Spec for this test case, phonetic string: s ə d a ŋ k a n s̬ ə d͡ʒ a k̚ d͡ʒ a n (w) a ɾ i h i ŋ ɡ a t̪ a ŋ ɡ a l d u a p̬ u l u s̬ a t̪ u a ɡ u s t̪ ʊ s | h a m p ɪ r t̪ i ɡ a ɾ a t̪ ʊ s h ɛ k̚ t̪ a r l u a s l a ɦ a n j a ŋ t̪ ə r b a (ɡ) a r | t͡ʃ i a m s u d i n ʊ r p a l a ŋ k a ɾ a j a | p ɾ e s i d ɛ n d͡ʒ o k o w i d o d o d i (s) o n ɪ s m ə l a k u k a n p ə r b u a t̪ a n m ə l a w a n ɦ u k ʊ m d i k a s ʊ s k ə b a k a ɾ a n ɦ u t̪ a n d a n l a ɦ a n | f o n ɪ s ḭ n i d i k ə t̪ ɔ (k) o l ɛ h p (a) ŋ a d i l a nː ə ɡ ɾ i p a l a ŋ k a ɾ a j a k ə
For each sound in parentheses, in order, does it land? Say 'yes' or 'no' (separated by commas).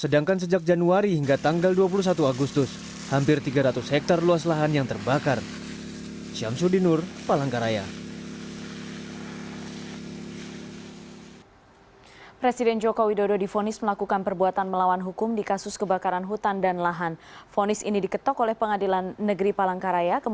no, no, no, yes, no